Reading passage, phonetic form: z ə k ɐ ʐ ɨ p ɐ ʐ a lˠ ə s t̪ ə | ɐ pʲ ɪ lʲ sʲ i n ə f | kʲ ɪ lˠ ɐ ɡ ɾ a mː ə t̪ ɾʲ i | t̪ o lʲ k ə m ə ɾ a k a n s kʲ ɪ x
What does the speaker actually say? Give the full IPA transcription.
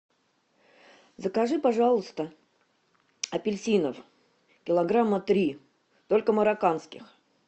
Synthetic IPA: z ə k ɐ ʐ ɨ p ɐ ʐ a lˠ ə s t̪ ə | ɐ pʲ ɪ lʲ sʲ i n ə f | kʲ ɪ lˠ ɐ ɡ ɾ a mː ə t̪ ɾʲ i | t̪ o lʲ k ə m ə ɾ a k a n s kʲ ɪ x